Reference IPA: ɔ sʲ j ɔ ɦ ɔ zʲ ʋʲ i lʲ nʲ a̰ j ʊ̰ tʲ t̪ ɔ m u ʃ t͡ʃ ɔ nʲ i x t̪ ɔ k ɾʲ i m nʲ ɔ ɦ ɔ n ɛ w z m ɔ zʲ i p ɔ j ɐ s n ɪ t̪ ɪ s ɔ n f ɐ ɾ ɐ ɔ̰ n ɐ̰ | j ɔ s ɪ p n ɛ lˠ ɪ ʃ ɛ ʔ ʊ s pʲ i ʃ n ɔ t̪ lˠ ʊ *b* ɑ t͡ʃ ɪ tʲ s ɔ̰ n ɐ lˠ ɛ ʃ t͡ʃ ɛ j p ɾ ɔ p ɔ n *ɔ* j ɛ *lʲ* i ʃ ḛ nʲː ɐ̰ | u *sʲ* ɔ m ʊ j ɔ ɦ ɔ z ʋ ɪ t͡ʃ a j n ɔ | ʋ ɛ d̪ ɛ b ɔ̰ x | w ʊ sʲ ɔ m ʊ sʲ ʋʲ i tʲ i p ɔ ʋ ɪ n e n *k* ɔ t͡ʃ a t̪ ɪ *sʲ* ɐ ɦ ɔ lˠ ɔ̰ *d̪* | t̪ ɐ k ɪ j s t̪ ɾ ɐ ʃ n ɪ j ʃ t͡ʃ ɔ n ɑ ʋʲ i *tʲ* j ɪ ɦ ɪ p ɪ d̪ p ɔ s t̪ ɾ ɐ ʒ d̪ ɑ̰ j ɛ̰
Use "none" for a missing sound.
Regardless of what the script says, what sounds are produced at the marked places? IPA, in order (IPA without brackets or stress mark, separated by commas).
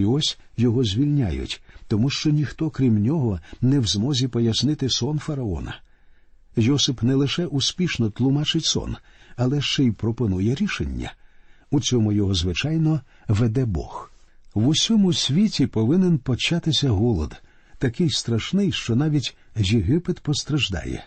m, u, ɾʲ, t͡sʲ, p, sʲ, d̪, tʲ